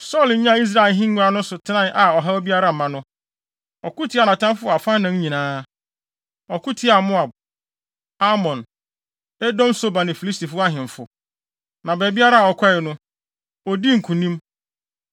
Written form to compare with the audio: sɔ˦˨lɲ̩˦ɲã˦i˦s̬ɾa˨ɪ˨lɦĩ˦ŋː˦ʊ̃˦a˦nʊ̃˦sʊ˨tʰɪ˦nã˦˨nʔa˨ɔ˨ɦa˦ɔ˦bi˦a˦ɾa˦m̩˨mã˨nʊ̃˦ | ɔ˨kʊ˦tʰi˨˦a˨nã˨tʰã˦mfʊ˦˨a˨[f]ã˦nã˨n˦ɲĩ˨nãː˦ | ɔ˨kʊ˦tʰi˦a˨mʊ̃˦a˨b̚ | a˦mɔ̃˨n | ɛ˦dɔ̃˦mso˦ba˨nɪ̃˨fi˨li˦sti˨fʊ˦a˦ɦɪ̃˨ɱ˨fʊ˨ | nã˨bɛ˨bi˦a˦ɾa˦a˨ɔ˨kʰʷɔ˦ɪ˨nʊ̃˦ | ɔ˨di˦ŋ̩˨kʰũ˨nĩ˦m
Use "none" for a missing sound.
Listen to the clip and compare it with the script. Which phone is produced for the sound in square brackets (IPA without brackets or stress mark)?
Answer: f